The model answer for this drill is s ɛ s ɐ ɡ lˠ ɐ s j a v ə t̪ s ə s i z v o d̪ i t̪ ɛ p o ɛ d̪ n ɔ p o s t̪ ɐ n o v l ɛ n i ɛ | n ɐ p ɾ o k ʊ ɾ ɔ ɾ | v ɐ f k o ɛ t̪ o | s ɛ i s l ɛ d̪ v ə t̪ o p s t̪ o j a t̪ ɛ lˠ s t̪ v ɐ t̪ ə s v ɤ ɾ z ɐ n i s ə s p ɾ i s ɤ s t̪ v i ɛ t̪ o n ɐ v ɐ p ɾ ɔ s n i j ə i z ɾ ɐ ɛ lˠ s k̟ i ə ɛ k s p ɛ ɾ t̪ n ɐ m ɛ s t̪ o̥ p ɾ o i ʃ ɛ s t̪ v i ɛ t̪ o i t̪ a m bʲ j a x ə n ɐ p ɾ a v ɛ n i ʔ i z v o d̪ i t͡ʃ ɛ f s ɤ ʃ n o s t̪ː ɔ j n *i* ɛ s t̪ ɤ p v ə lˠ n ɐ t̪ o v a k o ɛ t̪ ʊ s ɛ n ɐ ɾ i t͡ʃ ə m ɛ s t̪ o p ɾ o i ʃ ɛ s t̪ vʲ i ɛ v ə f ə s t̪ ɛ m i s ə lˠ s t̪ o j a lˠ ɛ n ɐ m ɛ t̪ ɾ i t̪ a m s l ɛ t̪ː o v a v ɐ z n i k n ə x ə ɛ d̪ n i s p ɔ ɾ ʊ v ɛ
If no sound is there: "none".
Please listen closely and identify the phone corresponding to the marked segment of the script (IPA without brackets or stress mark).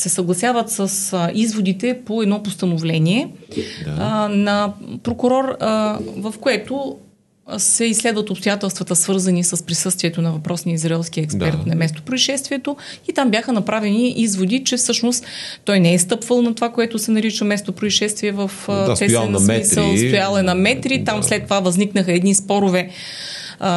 ɛ